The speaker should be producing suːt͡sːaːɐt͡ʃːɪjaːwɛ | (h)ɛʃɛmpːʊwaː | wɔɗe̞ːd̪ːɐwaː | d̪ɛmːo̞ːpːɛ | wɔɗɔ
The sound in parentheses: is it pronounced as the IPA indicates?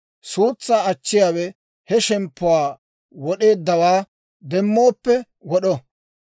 yes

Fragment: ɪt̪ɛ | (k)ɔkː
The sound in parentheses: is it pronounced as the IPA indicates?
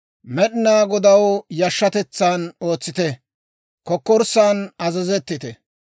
yes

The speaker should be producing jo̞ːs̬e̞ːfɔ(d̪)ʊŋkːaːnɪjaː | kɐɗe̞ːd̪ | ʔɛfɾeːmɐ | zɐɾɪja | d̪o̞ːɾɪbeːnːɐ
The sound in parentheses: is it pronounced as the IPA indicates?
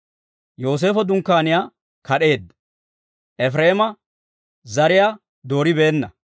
yes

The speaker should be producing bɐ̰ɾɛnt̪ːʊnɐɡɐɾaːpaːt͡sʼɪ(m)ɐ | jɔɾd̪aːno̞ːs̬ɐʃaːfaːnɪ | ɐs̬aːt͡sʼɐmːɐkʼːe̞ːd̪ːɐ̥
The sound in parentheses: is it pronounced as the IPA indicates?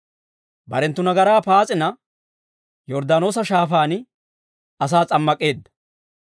no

